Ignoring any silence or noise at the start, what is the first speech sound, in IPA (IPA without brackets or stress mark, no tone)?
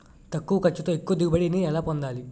t̪